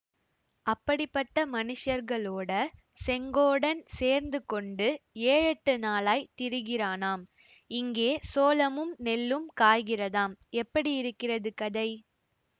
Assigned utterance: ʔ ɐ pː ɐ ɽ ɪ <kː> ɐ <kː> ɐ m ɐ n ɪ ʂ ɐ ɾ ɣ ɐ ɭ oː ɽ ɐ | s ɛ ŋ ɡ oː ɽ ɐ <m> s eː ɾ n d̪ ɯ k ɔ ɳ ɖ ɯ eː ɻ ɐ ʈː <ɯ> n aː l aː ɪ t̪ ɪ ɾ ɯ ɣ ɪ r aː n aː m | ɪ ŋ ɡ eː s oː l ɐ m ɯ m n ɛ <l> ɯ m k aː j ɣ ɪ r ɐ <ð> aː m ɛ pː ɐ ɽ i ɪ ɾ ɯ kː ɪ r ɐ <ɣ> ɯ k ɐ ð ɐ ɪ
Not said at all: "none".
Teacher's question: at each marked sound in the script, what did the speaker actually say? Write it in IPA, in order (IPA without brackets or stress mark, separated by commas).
pː, ʈː, n, ɯ, lː, ð, ð